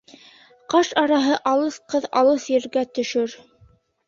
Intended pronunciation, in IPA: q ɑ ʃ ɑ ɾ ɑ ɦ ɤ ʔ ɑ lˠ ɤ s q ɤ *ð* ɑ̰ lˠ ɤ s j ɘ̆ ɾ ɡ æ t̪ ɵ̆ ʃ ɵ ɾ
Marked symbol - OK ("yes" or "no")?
yes